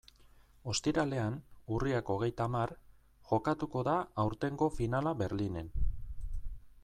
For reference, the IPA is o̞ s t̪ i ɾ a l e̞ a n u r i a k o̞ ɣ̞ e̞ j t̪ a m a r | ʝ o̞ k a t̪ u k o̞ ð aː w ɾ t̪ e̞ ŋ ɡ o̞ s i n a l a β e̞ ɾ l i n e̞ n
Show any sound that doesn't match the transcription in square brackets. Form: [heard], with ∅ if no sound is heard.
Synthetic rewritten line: o̞ s t̪ i ɾ a l e̞ a n u r i a k o̞ ɣ̞ e̞ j t̪ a m a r | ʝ o̞ k a t̪ u k o̞ ð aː w ɾ t̪ e̞ ŋ ɡ o̞ [f] i n a l a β e̞ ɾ l i n e̞ n